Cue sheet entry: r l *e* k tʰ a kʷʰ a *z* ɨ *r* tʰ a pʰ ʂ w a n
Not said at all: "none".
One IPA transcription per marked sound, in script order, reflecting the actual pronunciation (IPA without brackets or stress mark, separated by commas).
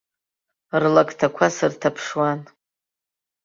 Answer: a, s, r